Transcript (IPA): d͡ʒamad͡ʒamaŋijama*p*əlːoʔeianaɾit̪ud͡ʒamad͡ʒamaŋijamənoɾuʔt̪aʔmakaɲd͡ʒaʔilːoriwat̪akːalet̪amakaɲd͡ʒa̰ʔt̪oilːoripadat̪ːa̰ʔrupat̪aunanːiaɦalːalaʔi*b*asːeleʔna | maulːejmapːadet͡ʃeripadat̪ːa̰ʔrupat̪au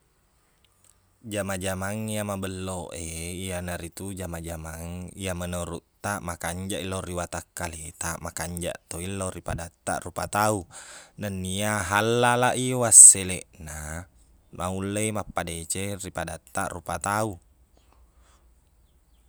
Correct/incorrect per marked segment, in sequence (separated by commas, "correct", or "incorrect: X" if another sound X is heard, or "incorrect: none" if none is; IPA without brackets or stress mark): incorrect: b, incorrect: w